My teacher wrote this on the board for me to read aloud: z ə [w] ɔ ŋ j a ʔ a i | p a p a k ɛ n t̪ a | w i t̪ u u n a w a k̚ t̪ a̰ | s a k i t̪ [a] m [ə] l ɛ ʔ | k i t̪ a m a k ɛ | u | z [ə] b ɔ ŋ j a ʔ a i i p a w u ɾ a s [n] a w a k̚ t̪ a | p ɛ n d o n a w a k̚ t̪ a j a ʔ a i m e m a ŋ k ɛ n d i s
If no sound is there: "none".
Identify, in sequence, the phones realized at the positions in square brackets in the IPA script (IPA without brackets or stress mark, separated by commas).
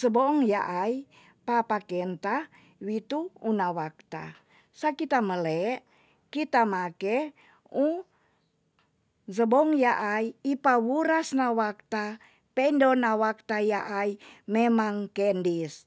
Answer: b, a, ə, ə, n